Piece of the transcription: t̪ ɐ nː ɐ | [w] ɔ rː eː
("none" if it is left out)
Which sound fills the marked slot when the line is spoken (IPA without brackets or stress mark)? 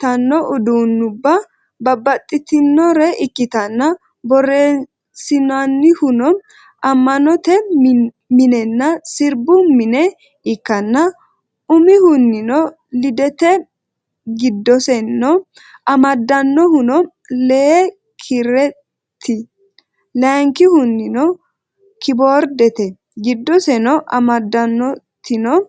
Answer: b